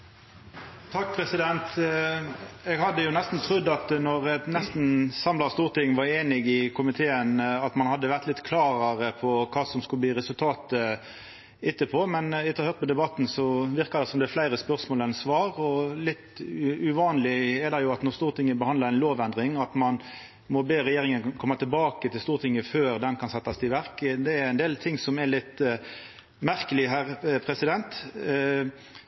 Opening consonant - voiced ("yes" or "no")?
no